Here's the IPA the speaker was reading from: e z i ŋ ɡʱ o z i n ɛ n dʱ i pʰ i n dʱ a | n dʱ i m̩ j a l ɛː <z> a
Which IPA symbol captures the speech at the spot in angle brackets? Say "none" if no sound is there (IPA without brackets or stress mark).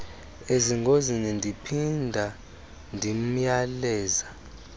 z